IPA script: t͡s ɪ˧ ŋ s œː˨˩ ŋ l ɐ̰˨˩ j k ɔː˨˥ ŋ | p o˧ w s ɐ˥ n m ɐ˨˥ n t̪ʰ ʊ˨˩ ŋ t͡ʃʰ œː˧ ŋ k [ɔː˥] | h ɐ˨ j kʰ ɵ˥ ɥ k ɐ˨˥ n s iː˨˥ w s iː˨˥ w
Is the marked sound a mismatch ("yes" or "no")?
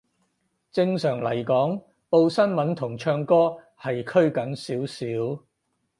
no